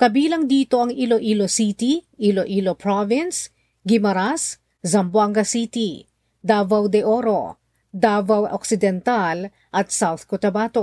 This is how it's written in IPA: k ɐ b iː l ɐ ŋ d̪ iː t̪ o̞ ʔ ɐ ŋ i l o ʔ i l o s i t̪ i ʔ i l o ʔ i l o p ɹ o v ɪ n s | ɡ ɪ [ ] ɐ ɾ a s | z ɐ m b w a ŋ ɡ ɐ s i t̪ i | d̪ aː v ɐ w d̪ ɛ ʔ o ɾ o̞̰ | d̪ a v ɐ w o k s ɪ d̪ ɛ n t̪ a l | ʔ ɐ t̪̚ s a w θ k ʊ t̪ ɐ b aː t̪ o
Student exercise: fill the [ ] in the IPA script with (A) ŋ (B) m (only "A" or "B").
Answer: B